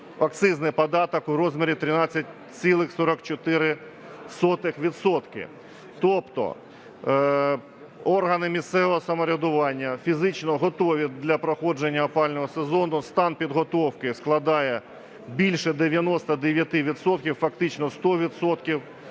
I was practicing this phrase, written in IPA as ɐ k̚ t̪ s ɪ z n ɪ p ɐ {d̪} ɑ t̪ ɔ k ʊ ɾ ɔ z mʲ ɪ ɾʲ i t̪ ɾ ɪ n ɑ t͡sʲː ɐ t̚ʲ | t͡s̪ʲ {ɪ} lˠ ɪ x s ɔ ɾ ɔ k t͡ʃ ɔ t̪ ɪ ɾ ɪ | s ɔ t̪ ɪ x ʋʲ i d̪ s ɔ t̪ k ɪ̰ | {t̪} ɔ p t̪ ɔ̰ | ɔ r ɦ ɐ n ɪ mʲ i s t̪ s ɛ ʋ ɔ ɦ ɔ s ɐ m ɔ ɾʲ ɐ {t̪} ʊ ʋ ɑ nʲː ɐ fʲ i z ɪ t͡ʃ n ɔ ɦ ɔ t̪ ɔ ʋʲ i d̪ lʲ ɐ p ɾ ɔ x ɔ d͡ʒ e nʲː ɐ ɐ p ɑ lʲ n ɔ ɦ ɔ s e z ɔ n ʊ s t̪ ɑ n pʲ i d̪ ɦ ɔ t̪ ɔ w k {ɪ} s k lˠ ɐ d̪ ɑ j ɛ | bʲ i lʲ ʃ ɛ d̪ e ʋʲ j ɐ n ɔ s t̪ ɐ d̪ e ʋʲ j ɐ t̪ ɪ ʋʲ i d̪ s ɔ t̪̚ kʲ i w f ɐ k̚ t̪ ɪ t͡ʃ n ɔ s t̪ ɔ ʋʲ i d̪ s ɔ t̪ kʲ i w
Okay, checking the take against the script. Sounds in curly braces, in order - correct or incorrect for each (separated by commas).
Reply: correct, incorrect, correct, incorrect, correct